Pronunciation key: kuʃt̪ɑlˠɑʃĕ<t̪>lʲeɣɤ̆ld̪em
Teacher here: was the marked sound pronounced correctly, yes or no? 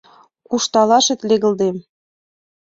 yes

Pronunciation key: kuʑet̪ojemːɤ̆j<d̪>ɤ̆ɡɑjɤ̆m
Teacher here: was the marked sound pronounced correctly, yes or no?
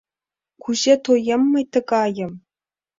no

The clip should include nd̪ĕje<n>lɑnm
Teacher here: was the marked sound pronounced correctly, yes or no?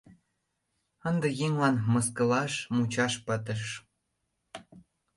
no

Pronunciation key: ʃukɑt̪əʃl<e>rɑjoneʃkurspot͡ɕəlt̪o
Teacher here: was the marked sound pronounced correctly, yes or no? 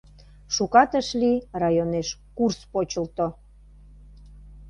no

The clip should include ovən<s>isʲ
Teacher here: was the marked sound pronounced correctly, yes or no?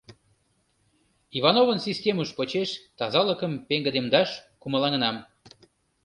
yes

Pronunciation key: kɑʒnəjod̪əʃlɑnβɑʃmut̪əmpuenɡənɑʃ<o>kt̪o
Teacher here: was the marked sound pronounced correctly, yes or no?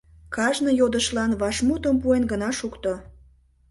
no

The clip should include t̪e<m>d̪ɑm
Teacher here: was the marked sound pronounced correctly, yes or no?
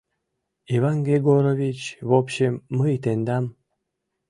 no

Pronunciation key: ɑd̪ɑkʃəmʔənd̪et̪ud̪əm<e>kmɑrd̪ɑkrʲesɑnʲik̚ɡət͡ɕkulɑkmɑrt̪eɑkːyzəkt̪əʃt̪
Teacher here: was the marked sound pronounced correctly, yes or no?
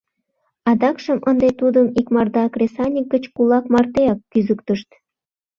no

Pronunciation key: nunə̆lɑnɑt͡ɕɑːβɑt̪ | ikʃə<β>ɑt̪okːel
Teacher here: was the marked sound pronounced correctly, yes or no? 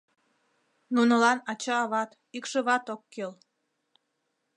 yes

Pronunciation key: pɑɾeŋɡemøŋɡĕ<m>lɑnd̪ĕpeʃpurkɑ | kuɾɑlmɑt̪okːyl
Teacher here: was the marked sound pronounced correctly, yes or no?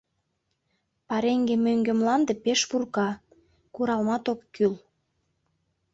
yes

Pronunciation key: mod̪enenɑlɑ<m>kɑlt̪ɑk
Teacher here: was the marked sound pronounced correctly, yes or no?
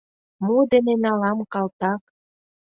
yes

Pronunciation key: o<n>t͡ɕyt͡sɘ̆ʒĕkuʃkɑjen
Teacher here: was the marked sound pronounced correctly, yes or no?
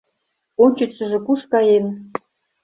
yes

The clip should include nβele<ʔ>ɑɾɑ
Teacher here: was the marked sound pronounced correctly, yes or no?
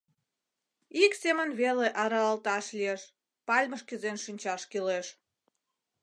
yes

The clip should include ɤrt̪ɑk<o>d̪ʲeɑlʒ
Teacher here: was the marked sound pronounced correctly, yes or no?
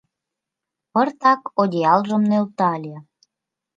yes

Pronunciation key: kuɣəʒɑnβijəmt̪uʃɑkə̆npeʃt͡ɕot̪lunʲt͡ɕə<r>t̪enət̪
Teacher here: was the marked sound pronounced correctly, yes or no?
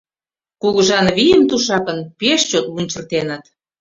yes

